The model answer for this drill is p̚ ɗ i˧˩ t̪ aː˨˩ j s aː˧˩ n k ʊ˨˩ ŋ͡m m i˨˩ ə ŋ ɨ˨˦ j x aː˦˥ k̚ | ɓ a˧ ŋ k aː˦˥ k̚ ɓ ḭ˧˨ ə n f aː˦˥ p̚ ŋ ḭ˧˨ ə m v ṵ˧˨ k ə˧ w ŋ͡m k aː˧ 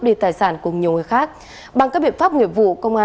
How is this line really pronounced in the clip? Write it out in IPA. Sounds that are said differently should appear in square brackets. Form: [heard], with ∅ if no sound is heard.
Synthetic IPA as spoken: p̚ ɗ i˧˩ t̪ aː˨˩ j s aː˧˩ n k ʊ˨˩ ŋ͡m [ɲ] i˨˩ ə ŋ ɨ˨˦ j x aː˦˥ k̚ | ɓ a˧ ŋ k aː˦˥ k̚ ɓ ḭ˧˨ ə n f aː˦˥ p̚ ŋ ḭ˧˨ ə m v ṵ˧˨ k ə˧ w ŋ͡m [ʔ] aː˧